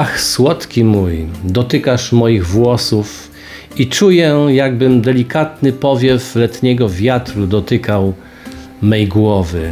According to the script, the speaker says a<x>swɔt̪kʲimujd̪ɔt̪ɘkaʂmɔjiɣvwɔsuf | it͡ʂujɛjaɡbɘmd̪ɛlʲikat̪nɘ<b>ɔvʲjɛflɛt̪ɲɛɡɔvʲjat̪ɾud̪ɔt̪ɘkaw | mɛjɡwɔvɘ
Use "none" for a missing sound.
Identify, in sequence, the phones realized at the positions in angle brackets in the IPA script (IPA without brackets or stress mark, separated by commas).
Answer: x, p